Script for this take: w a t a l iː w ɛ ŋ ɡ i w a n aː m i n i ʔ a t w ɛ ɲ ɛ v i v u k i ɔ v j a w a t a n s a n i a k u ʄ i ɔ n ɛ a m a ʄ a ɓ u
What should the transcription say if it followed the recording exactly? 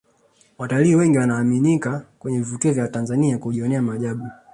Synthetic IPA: w a t a l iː w ɛ ŋ ɡ i w a n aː m i n i k a k w ɛ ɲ ɛ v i v u k i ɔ v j a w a t a n z a n i a k u ʄ i ɔ n ɛ a m a ʄ a ɓ u